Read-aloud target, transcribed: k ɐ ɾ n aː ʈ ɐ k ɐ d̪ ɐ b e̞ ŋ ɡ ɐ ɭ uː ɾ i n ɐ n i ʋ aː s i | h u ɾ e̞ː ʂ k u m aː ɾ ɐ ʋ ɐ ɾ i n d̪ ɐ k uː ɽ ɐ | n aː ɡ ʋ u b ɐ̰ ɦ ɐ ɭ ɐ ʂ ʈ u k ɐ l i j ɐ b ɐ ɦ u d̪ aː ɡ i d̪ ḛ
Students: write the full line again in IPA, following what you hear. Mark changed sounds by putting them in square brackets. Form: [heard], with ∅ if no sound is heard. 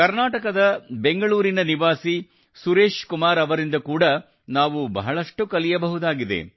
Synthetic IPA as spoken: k ɐ ɾ n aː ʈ ɐ k ɐ d̪ ɐ b e̞ ŋ ɡ ɐ ɭ uː ɾ i n ɐ n i ʋ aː s i | [s] u ɾ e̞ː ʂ k u m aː ɾ ɐ ʋ ɐ ɾ i n d̪ ɐ k uː ɽ ɐ | n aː [∅] ʋ u b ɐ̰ ɦ ɐ ɭ ɐ ʂ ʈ u k ɐ l i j ɐ b ɐ ɦ u d̪ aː ɡ i d̪ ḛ